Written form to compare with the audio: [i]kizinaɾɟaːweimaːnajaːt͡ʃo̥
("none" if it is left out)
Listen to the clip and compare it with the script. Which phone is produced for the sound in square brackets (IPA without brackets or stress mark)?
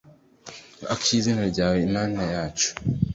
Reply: a